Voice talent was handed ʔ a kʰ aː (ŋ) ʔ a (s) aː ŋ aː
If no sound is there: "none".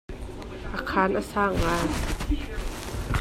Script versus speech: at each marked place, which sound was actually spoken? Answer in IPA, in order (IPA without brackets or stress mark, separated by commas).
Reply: n, s